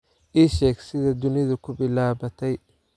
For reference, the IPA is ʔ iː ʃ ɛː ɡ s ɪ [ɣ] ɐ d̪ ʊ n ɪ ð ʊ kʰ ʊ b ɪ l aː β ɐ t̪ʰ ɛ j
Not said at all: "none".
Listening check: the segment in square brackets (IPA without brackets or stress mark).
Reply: ð